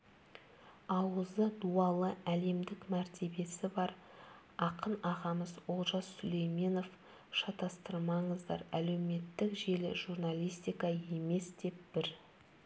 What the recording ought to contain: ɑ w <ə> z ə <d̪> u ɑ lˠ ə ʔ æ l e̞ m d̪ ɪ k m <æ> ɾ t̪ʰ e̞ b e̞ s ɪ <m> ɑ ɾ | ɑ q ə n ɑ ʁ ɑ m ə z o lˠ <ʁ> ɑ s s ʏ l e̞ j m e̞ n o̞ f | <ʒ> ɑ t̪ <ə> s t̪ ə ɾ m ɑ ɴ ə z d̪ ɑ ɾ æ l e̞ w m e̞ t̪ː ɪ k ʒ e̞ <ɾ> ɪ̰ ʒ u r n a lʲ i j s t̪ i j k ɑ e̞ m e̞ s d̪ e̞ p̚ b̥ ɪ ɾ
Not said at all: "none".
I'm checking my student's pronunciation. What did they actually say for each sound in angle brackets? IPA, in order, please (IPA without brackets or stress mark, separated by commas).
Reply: ə, d̪, æ, b, ʒ, ʃ, ɑ, l